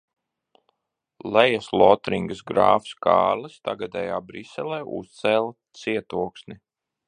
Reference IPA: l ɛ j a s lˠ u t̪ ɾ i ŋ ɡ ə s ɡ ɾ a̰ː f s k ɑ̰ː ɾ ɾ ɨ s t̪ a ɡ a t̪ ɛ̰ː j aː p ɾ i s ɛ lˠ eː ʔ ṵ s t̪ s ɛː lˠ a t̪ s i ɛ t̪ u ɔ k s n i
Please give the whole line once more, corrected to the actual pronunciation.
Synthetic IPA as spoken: l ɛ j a s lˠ ɔ t̪ ɾ i ŋ ɡ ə s ɡ ɾ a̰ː f s k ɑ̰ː ɾ l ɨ s t̪ a ɡ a d̪ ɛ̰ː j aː b ɾ i s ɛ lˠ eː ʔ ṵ s t̪ s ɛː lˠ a t̪ s i ɛ t̪ u ɔ k s n i